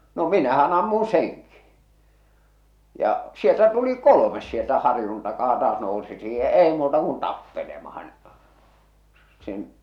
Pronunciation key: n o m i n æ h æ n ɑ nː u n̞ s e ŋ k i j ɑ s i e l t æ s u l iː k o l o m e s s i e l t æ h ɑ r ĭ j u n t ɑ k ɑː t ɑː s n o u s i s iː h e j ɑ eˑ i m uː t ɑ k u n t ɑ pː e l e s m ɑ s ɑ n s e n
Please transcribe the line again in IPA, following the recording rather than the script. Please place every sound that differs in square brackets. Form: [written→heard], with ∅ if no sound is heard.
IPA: n o m i n æ h æ n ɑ [nː→mː] u n̞ s e ŋ k i j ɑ s i e l t æ [s→t] u l [iː→i] k o l o m e s s i e l t æ h ɑ r ĭ j u n t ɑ k ɑː t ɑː s n o u s i s iː h e j ɑ eˑ i m uː t ɑ k u n t ɑ pː e l e [s→∅] m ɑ [s→h] ɑ n s e n